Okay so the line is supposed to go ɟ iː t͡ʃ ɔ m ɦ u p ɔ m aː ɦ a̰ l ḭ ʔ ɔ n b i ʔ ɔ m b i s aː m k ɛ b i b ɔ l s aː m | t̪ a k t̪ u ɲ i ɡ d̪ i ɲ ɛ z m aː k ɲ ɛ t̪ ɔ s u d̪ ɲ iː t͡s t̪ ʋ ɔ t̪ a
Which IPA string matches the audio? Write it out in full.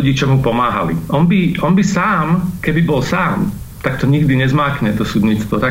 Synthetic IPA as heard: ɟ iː t͡ʃ ɔ m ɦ u p ɔ m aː ɦ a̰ l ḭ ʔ ɔ n b i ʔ ɔ n b i s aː m k ɛ b i b ɔ l s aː m | t̪ a k t̪ ɔ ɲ i ɡ d̪ i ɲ ɛ z m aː k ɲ ɛ t̪ ɔ s u d̪ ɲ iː t͡s t̪ ʋ ɔ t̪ a